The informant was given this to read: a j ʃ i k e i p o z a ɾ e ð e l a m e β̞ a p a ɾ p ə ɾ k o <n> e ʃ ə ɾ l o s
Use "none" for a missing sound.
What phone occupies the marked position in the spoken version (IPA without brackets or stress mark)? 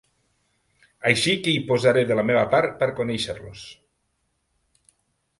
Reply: n